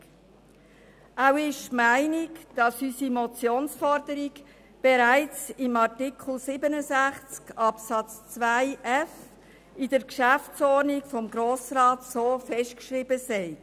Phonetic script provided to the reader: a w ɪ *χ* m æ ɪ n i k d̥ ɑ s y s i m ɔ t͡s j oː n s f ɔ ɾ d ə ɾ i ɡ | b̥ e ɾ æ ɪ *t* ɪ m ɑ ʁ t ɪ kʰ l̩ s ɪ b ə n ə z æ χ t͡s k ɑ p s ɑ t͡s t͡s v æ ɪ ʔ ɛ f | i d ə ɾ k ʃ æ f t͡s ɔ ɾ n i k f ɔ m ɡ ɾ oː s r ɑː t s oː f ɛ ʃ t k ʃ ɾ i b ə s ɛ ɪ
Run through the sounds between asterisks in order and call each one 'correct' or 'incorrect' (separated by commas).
incorrect, incorrect